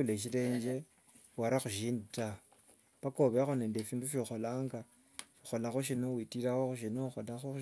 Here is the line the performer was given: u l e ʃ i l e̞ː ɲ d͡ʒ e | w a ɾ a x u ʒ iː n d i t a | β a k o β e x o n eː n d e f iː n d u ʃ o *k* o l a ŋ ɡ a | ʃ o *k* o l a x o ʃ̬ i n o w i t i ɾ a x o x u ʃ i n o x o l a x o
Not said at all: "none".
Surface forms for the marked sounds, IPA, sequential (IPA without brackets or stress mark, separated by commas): x, x